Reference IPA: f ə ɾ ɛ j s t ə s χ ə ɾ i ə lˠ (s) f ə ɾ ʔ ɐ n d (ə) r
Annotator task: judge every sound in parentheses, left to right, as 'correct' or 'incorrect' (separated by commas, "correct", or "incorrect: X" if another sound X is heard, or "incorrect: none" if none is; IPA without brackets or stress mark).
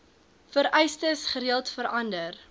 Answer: incorrect: t, correct